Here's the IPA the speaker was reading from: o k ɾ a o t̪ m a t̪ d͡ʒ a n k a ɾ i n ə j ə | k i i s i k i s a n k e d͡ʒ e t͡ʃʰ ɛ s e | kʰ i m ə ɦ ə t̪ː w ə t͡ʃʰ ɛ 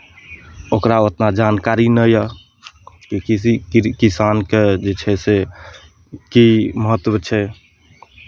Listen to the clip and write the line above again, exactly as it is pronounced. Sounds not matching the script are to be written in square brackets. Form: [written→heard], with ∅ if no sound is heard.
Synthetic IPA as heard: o k ɾ a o t̪ [m→n] a [t̪→∅] d͡ʒ a n k a ɾ i n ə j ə | k i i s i k i s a n k e d͡ʒ e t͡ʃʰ ɛ s e | [kʰ→k] i m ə ɦ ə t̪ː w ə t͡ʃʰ ɛ